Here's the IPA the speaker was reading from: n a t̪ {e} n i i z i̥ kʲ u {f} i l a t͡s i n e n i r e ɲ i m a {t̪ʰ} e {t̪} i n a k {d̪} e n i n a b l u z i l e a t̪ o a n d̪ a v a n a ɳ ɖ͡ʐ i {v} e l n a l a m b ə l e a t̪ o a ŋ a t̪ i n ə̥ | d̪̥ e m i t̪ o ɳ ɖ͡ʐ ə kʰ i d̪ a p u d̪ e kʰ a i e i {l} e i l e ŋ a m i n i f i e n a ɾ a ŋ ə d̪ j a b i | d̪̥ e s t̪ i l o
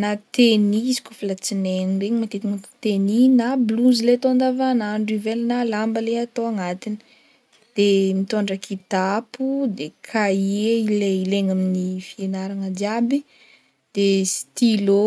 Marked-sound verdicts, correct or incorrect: correct, correct, incorrect: t̪, correct, incorrect: t̪, correct, correct

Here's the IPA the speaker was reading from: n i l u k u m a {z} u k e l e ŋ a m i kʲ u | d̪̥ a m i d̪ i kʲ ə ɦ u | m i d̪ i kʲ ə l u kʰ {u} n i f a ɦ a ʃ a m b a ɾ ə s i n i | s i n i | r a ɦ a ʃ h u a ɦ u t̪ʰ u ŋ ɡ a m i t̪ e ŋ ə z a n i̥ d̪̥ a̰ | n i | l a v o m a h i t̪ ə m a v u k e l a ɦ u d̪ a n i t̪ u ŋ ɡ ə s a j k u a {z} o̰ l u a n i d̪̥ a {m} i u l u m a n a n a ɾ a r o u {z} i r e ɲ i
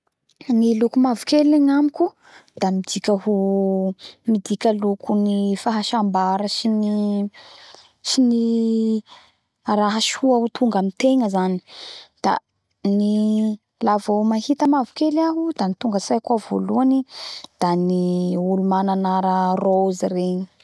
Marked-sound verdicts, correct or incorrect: incorrect: v, correct, incorrect: v, incorrect: n, correct

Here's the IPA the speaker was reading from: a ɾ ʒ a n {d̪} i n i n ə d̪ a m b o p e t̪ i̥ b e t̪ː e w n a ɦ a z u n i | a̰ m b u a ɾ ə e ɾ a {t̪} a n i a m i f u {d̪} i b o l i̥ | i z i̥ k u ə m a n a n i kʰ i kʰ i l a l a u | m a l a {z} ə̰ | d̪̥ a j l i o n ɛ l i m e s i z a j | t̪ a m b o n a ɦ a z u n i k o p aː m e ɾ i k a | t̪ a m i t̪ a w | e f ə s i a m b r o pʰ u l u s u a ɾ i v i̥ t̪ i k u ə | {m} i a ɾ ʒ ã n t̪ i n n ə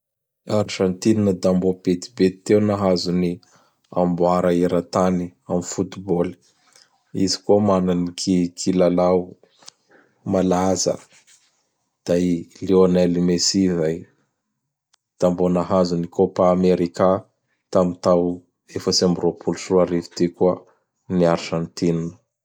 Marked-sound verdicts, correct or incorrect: incorrect: t̪, correct, incorrect: t̪, correct, incorrect: n

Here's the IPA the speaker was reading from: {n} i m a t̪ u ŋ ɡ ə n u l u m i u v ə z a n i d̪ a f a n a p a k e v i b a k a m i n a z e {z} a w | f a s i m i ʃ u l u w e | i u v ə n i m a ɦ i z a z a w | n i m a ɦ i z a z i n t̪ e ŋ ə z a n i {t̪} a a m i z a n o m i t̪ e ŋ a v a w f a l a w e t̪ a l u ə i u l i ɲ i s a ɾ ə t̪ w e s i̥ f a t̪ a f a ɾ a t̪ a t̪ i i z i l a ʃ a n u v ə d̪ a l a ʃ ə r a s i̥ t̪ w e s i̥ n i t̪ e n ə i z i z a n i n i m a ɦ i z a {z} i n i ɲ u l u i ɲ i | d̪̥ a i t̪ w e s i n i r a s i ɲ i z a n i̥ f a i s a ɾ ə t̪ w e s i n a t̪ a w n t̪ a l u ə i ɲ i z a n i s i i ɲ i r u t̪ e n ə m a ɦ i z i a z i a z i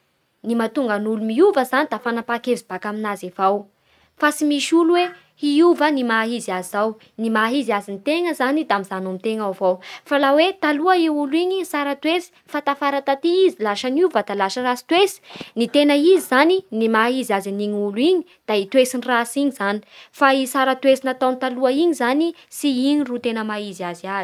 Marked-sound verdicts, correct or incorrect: correct, incorrect: v, incorrect: d̪, correct

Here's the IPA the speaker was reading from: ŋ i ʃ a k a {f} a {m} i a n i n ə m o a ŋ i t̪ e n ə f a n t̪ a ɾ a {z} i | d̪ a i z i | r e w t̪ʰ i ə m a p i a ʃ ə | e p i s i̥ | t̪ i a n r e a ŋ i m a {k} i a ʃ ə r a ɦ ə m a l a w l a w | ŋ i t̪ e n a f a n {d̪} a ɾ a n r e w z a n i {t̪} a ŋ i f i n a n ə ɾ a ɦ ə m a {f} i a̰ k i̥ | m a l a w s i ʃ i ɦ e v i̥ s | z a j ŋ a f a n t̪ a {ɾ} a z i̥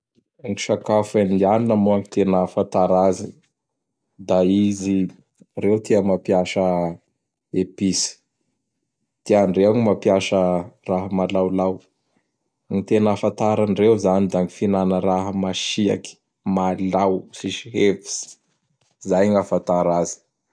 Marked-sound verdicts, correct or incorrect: correct, incorrect: n, correct, incorrect: p, incorrect: t̪, incorrect: d̪, incorrect: ʃ, correct

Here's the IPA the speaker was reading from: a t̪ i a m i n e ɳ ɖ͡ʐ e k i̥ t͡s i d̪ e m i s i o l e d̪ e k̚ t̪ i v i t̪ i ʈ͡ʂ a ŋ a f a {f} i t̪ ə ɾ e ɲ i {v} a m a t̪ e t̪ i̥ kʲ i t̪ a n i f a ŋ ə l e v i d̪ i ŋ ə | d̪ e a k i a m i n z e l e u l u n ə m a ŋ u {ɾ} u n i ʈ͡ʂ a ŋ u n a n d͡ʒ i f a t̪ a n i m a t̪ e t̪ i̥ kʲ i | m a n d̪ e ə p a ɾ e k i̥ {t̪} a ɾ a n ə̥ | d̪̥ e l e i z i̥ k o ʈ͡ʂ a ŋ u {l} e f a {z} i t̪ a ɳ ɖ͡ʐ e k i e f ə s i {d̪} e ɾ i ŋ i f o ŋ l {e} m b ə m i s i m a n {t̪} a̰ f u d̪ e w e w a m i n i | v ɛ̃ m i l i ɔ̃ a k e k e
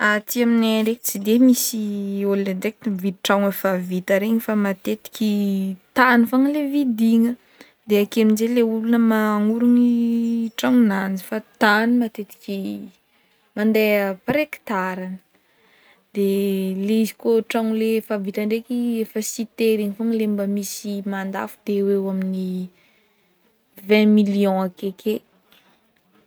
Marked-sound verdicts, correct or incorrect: incorrect: v, incorrect: f, correct, correct, correct, incorrect: v, incorrect: t̪, correct, incorrect: d̪

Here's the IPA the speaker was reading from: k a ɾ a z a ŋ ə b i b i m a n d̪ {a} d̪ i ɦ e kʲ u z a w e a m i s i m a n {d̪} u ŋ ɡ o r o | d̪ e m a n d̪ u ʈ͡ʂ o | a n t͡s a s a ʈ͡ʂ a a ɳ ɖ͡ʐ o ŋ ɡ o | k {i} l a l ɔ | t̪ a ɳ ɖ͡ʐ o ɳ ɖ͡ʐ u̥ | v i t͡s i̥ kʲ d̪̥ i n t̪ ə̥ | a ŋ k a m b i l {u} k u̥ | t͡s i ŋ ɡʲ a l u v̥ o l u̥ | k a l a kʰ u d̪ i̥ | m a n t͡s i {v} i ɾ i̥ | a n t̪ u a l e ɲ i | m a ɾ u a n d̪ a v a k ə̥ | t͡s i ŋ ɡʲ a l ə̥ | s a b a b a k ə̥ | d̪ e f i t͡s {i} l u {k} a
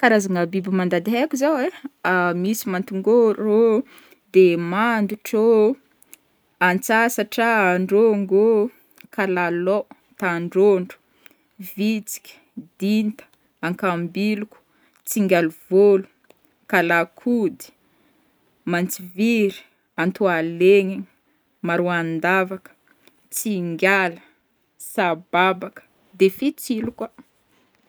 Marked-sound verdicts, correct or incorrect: correct, incorrect: t̪, incorrect: a, correct, correct, correct, correct

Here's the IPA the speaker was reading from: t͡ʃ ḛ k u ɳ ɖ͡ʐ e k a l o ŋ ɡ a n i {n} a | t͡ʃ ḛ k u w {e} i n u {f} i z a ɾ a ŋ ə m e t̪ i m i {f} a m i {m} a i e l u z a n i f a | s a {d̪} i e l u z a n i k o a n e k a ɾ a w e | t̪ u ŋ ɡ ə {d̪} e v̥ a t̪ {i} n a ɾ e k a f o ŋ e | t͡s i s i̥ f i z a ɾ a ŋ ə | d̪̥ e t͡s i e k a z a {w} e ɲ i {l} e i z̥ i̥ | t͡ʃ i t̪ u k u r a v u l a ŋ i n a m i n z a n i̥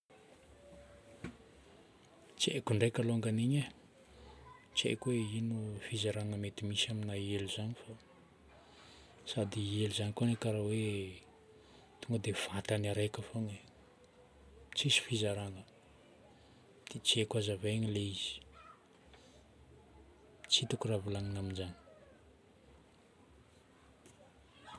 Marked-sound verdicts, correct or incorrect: incorrect: ɲ, correct, correct, incorrect: s, incorrect: n, correct, correct, incorrect: a, incorrect: v, correct

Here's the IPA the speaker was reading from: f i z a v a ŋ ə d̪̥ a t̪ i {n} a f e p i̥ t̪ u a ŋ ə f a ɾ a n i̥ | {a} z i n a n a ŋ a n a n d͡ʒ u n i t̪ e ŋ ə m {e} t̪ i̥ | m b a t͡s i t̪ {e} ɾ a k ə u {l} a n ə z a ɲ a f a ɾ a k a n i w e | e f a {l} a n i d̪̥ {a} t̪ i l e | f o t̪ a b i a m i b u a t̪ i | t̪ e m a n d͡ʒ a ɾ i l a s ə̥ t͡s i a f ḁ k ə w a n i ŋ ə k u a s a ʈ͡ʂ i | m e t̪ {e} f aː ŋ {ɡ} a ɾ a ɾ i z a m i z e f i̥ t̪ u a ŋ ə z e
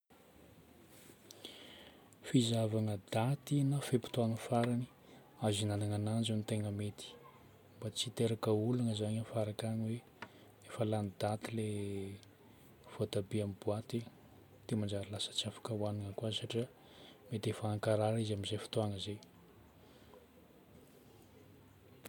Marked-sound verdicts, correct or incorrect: correct, correct, correct, correct, correct, correct, correct, correct, incorrect: k

